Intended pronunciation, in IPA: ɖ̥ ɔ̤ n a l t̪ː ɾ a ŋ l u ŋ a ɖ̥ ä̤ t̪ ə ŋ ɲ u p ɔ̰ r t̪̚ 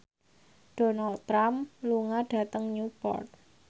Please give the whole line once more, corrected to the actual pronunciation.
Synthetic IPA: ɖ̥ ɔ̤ n a l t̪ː ɾ a m l u ŋ a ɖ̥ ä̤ t̪ ə ŋ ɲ u p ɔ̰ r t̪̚

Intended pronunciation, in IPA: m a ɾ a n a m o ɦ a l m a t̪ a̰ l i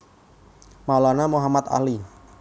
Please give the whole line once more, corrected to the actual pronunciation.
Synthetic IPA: m a l a n a m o ɦ a m a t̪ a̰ l i

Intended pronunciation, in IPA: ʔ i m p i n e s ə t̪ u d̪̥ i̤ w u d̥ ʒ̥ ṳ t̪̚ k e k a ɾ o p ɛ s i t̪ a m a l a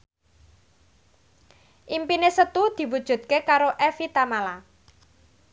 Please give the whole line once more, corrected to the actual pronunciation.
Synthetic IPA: ʔ i m p i n e s ə t̪ u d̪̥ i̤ w u d̥ ʒ̥ ṳ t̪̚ k e k a ɾ o ʔ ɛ f i t̪ a m a l a

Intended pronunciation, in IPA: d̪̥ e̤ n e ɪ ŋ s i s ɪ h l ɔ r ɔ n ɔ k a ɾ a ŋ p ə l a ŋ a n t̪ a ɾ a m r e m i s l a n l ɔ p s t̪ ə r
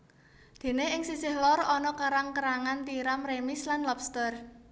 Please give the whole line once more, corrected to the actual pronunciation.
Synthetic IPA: d̪̥ e̤ n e ɪ ŋ s i s ɪ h l ɔ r ɔ n ɔ k a ɾ a ŋ k ə ɾ a ŋ a n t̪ i ɾ a m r e m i s l a n l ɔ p s t̪ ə r

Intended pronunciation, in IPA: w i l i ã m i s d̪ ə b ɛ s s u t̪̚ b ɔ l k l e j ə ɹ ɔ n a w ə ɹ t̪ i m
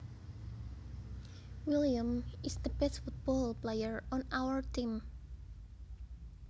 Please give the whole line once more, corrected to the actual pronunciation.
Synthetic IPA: w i l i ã m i s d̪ ə b ɛ s f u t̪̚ b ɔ l p l e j ə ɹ ɔ n a w ə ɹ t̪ i m

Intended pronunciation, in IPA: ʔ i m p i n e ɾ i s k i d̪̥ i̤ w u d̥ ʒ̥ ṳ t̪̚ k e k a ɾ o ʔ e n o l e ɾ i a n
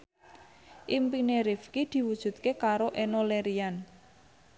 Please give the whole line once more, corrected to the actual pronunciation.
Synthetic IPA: ʔ i m p i n e ɾ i f k i d̪̥ i̤ w u d̥ ʒ̥ ṳ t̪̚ k e k a ɾ o ʔ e n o l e ɾ i a n

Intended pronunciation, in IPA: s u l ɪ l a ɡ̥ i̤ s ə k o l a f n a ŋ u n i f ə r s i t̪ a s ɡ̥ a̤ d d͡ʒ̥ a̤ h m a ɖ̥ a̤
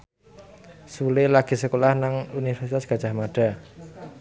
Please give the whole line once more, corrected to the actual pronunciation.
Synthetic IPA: s u l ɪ l a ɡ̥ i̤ s ə k o l a h n a ŋ u n i f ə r s i t̪ a s ɡ̥ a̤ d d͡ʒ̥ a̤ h m a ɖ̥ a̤

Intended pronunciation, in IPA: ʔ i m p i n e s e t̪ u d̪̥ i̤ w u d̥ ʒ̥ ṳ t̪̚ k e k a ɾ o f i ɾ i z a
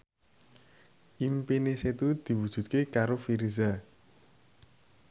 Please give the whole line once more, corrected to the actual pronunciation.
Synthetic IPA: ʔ i m p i n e s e t̪ u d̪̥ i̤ w u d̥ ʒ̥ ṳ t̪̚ k e k a ɾ o f i ɾ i z a

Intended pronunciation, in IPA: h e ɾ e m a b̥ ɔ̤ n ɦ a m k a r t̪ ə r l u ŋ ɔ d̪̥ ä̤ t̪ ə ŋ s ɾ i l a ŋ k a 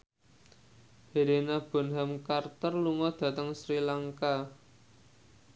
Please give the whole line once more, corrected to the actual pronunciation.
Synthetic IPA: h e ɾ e n a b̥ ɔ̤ n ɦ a m k a r t̪ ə r l u ŋ ɔ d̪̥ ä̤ t̪ ə ŋ s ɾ i l a ŋ k a

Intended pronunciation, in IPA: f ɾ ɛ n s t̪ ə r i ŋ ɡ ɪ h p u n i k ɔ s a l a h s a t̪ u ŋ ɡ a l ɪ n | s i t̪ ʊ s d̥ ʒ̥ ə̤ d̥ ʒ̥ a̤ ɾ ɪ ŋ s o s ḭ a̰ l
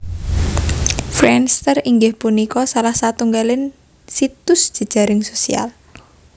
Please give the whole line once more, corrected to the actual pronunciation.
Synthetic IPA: f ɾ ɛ n s t̪ ə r i ŋ ɡ ɪ h p u n i k ɔ s a l a h s a t̪ u ŋ ɡ a l ɪ n | s i t̪ ʊ s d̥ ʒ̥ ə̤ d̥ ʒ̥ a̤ ɾ ɪ ŋ s o s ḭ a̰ l

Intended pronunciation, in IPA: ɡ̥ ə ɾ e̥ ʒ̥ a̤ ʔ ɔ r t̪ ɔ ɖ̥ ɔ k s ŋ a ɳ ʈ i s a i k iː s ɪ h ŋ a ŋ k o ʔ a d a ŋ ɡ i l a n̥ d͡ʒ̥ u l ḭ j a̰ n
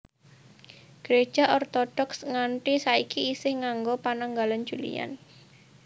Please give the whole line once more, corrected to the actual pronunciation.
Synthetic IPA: ɡ̥ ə ɾ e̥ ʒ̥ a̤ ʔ ɔ r t̪ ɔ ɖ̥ ɔ k s ŋ a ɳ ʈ i s a i k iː s ɪ h ŋ a ŋ ɡ o p a n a ŋ ɡ a l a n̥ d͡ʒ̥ u l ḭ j a̰ n

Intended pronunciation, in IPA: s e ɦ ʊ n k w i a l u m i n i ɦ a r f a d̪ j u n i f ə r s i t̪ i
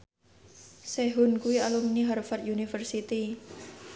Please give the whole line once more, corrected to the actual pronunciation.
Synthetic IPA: s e ɦ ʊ n k u i a l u m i n i ɦ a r f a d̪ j u n i f ə r s i t̪ i

